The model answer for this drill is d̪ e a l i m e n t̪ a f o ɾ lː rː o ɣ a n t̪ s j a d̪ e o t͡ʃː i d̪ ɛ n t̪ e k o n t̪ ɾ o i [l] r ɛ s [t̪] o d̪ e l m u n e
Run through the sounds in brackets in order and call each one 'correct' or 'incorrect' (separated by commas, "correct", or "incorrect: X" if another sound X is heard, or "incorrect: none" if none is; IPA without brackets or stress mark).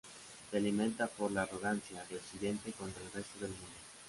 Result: correct, correct